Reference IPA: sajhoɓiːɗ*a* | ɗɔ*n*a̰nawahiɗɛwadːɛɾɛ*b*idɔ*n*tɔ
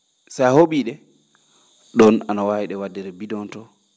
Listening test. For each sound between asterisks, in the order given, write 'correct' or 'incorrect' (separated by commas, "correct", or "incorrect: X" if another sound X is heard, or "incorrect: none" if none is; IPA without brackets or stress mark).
incorrect: ɛ, correct, correct, correct